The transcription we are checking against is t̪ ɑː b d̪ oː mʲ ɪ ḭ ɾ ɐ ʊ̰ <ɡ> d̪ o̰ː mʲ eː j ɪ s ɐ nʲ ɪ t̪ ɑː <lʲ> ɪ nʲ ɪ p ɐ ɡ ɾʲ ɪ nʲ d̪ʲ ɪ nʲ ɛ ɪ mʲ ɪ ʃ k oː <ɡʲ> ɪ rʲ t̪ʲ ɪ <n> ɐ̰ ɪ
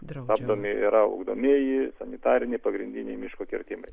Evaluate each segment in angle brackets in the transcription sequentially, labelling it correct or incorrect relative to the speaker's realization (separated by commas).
correct, incorrect, incorrect, incorrect